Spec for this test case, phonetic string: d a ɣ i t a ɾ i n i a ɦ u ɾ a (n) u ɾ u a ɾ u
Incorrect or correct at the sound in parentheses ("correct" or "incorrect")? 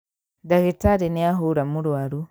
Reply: incorrect